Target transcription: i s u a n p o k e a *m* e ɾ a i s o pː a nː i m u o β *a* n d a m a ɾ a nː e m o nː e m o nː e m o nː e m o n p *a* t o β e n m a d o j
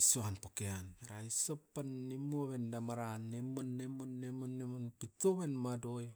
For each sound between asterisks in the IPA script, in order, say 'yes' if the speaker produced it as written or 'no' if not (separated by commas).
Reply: no, no, no